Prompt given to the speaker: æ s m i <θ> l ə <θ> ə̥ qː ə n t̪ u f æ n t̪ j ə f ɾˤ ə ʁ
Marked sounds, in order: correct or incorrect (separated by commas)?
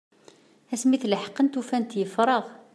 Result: correct, incorrect